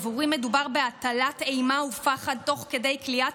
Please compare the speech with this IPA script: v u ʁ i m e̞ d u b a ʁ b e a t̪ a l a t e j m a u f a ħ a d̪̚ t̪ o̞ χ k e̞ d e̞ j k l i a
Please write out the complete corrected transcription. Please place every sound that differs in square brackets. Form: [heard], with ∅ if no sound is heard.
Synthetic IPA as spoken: v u ʁ i m e̞ d u b a ʁ b e a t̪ a l a t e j m a u f a [χ] a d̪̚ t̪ o̞ χ k e̞ d e̞ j k l i a